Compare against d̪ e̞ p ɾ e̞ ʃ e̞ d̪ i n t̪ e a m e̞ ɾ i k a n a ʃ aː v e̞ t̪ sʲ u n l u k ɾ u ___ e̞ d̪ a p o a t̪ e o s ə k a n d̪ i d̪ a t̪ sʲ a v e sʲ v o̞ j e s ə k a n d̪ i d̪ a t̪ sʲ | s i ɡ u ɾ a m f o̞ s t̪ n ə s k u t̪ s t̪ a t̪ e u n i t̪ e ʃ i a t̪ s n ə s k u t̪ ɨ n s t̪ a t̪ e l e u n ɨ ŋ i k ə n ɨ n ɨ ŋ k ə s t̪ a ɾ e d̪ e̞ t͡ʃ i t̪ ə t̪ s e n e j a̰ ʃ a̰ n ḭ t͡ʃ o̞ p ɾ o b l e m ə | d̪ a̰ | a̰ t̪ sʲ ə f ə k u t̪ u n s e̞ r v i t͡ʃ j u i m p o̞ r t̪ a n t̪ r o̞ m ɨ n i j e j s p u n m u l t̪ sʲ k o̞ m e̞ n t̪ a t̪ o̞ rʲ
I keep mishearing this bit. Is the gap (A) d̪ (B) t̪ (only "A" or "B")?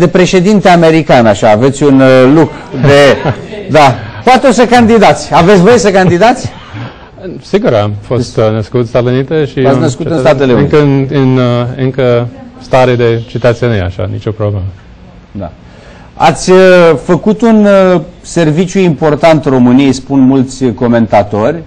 A